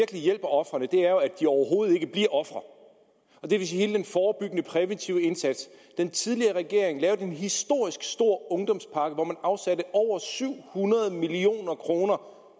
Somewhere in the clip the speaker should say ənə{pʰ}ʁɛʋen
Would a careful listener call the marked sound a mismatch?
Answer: no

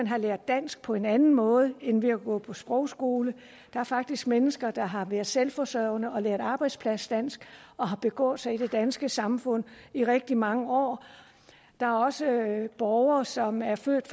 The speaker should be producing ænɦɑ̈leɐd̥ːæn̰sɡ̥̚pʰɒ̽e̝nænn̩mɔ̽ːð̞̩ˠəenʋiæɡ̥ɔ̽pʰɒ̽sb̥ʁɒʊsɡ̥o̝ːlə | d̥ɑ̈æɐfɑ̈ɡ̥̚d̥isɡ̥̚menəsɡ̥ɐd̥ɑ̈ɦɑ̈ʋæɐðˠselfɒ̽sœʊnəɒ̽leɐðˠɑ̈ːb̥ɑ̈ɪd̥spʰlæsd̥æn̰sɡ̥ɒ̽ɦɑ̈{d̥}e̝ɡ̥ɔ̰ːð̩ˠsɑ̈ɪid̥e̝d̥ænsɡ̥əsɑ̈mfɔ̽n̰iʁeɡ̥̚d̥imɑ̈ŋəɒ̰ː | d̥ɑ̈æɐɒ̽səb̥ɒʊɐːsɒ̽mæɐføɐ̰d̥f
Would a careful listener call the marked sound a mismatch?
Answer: yes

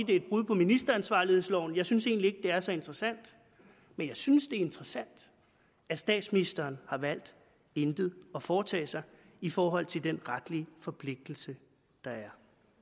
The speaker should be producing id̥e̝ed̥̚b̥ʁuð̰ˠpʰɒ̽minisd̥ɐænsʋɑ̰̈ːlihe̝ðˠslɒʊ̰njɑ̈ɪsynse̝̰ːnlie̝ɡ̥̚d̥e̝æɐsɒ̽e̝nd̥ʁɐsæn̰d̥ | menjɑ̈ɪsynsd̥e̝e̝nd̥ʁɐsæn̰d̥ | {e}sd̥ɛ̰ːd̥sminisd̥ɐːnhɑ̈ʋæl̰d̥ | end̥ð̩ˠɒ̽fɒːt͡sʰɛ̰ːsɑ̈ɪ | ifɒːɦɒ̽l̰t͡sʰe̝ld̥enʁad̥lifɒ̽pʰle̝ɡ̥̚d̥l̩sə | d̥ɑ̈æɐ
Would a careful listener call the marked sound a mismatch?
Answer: yes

